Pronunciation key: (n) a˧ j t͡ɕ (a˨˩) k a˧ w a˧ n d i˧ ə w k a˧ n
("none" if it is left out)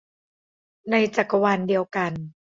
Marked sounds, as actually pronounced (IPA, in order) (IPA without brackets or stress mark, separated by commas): n, a˨˩